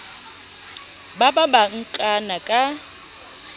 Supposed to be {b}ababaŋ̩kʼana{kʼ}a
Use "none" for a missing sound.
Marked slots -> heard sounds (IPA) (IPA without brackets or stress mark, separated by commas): b, kʼ